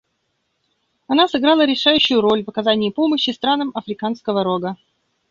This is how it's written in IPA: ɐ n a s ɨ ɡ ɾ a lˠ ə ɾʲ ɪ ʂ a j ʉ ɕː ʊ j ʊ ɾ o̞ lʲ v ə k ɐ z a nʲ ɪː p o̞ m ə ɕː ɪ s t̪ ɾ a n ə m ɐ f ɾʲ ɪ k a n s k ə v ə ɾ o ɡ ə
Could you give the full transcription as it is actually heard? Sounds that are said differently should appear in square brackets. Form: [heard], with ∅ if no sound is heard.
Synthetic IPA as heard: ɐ n a s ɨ ɡ ɾ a lˠ ə ɾʲ ɪ ʂ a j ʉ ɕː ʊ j ʊ ɾ o̞ lʲ v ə k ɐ z a nʲ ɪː p o̞ m ə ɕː ɪ s t̪ ɾ a n ə m ɐ f ɾʲ ɪ k a n s k ə v ə ɾ o ɡ ə